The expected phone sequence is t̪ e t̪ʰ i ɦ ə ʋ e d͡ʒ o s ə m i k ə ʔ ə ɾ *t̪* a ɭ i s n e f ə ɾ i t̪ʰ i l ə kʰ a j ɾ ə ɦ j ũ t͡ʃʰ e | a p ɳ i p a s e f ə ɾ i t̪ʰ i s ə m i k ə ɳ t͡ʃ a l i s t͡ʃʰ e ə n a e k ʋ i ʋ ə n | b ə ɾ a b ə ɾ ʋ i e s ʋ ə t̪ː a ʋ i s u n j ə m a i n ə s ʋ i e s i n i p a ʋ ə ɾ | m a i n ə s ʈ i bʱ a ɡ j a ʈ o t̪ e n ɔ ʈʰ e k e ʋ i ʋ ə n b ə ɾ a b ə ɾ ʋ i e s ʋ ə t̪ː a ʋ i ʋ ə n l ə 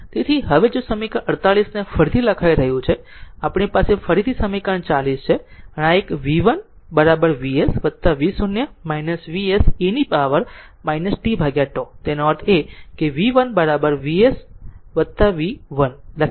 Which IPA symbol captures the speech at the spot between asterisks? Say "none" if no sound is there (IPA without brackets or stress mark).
t̪